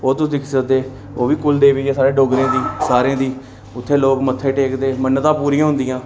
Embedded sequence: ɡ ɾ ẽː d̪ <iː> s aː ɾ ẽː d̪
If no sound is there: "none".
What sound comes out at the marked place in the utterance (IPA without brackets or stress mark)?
iː